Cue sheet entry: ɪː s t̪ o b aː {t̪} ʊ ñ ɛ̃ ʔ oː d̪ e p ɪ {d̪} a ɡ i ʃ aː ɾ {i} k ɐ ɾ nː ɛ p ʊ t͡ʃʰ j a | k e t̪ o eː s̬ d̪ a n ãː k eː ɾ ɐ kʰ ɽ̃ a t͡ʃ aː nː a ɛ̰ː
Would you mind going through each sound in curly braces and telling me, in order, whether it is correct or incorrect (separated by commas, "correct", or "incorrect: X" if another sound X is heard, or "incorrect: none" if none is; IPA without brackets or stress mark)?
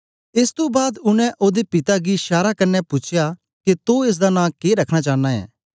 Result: incorrect: d̪, incorrect: t̪, incorrect: a